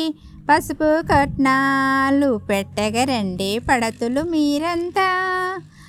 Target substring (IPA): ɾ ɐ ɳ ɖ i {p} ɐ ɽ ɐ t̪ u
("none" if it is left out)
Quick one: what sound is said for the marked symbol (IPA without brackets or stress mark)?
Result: p